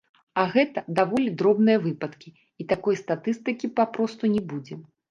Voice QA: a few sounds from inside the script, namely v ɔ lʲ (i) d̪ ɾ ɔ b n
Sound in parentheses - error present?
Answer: no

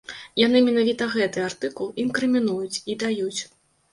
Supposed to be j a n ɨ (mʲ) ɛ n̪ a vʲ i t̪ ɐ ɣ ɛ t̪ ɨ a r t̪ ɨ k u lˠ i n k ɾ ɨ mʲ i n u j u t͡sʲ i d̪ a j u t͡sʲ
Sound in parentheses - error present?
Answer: no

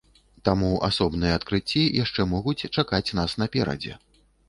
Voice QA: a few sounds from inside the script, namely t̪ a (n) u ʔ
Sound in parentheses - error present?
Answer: yes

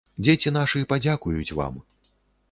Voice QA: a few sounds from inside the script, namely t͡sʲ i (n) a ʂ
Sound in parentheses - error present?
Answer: no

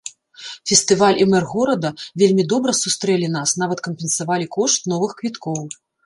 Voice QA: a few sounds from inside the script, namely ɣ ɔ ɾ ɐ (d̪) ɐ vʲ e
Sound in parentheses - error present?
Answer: no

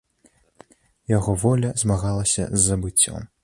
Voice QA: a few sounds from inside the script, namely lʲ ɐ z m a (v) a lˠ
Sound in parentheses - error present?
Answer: yes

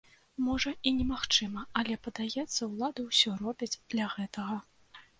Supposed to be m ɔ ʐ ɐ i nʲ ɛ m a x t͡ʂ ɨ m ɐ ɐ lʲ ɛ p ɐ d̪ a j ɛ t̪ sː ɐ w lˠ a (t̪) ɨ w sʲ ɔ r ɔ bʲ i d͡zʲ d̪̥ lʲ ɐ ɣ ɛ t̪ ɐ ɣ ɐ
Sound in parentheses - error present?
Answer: yes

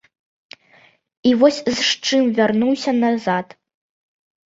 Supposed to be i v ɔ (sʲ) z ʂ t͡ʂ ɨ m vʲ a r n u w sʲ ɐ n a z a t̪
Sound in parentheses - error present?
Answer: no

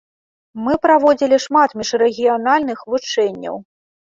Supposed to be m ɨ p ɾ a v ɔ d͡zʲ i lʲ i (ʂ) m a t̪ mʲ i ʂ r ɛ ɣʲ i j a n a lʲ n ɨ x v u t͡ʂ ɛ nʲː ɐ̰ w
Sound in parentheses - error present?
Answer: no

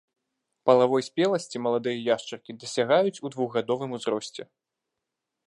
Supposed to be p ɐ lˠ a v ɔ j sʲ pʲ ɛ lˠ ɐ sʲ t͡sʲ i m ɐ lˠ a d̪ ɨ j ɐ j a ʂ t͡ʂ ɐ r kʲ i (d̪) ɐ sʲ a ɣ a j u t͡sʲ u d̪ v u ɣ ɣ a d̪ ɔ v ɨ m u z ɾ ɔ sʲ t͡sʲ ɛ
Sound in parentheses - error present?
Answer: no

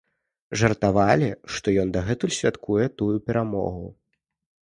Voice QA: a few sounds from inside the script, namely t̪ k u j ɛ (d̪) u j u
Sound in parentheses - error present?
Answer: yes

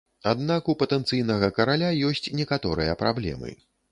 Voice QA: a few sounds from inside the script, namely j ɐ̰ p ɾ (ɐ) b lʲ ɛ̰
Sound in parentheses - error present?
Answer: yes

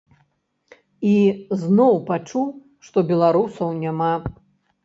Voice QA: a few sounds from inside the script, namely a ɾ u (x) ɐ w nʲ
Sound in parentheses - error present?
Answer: yes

